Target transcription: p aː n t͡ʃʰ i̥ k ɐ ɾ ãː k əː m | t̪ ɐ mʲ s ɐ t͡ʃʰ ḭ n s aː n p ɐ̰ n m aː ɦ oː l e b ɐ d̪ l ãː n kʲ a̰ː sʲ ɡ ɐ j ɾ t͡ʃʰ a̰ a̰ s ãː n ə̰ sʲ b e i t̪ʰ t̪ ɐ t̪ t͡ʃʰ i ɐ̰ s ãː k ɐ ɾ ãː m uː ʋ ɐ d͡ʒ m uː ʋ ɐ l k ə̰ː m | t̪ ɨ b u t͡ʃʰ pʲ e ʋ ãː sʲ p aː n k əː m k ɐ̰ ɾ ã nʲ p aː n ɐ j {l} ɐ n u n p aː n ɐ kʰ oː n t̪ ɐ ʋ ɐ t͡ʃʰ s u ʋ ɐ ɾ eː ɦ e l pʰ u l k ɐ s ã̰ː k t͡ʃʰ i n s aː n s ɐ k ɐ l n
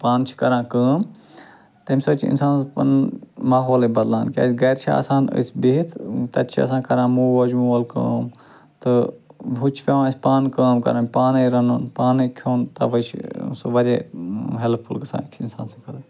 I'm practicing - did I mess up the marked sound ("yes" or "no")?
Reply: yes